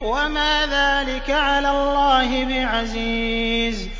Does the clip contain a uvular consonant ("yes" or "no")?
no